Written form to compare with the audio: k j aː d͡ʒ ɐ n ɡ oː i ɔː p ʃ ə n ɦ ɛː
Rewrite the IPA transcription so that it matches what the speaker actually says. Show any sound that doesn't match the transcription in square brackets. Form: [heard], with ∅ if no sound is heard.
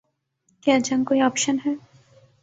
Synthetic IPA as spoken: k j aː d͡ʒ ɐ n [k] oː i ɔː p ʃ ə n ɦ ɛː